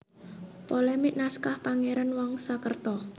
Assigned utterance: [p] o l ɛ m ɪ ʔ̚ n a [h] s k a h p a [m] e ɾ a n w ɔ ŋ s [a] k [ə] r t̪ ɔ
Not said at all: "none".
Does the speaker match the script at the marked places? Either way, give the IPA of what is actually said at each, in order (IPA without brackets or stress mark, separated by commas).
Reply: p, none, ŋ, a, ə